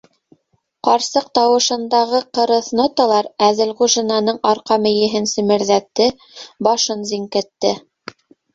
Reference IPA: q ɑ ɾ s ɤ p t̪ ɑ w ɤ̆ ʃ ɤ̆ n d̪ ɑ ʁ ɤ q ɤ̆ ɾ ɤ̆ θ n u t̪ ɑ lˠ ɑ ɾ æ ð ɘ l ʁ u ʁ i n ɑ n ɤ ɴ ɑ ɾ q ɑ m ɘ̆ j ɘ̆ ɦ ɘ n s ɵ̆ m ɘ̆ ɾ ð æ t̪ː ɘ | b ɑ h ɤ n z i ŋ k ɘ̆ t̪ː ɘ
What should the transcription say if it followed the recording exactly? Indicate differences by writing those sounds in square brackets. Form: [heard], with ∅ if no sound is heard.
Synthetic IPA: q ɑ ɾ s ɤ [q] t̪ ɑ w ɤ̆ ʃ ɤ̆ n d̪ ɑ ʁ ɤ q ɤ̆ ɾ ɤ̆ θ n [o] t̪ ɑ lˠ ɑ ɾ æ ð ɘ l ʁ u [ʒ] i n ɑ n ɤ ɴ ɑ ɾ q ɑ m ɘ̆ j ɘ̆ ɦ ɘ n s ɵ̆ m ɘ̆ ɾ ð æ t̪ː ɘ | b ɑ [ʃ] ɤ n z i ŋ k ɘ̆ t̪ː ɘ